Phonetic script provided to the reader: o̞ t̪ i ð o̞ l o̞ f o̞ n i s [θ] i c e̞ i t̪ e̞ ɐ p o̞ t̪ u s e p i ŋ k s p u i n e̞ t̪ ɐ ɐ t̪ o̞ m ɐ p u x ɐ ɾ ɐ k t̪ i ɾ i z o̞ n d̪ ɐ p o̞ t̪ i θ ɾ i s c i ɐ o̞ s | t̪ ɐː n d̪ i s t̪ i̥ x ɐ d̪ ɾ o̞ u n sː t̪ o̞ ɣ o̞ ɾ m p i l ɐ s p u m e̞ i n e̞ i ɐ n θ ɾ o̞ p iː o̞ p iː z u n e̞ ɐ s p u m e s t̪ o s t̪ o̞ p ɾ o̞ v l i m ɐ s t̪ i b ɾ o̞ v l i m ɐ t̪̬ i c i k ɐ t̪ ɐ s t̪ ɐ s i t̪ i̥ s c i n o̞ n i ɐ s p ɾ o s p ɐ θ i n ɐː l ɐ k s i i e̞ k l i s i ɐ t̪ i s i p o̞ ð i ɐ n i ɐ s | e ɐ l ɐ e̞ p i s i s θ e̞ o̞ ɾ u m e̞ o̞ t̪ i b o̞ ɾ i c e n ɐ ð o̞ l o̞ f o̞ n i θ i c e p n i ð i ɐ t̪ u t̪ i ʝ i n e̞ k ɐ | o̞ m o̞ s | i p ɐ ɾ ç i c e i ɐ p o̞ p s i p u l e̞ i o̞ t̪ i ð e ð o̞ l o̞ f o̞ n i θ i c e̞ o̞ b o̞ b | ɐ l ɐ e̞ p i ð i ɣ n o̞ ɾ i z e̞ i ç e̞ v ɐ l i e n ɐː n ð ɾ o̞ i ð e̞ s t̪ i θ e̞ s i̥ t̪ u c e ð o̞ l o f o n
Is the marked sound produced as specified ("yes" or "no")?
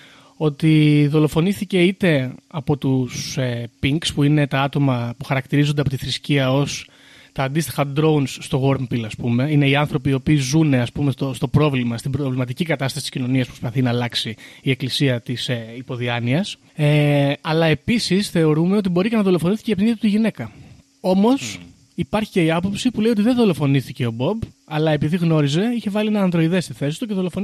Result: yes